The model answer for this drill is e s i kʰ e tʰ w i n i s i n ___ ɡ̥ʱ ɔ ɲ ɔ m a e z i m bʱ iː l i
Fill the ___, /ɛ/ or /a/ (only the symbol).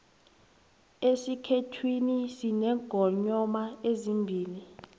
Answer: ɛ